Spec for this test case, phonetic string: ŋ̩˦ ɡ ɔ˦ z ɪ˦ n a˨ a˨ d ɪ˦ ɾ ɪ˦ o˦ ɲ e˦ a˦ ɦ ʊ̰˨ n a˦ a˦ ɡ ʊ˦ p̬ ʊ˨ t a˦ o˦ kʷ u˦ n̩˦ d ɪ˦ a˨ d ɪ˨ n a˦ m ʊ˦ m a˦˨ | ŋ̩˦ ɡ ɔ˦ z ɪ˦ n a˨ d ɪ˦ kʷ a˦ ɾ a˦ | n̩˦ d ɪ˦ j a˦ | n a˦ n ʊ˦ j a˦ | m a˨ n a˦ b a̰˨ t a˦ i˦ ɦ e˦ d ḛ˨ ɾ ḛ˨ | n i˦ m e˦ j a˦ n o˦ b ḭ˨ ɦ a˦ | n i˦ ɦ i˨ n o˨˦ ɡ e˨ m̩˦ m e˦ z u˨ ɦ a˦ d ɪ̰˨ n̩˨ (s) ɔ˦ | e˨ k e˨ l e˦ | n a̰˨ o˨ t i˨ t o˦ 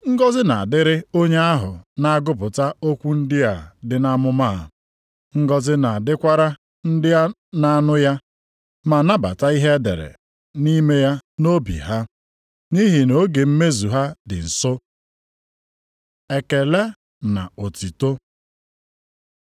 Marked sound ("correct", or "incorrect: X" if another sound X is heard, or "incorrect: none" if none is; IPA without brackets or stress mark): correct